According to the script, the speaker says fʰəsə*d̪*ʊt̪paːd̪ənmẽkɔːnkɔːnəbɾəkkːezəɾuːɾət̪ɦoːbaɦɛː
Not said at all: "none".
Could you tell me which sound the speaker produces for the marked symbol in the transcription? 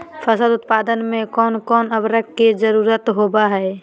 d̪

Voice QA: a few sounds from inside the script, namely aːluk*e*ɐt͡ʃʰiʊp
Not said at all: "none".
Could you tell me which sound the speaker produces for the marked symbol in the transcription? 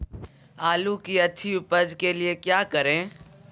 i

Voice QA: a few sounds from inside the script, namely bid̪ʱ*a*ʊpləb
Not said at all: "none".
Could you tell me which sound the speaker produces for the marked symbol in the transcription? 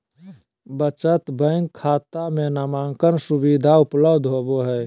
a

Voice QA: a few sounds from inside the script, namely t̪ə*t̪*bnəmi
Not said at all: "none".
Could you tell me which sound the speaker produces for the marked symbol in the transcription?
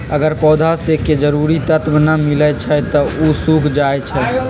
t̪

